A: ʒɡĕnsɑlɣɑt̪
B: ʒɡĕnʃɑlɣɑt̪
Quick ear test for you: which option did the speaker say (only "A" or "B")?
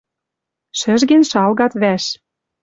B